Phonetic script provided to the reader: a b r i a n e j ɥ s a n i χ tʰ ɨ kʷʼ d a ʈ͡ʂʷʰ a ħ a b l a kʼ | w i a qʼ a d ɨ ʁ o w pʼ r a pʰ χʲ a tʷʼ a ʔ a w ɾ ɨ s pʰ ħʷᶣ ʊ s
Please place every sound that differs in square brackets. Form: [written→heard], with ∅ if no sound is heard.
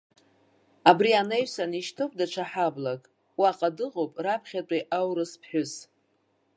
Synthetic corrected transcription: a b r i a n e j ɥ s a n i [χ→ʃ] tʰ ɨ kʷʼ d a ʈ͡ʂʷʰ a ħ a b l a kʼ | w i a qʼ a d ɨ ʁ o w pʼ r a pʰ χʲ a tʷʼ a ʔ a w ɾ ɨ s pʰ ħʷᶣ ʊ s